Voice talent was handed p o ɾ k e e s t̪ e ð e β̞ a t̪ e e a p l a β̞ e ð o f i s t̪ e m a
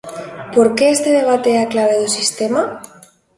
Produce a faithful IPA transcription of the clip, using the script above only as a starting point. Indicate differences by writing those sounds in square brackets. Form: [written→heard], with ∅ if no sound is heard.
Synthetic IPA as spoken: p o ɾ k e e s t̪ e ð e β̞ a t̪ e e a [p→k] l a β̞ e ð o [f→s] i s t̪ e m a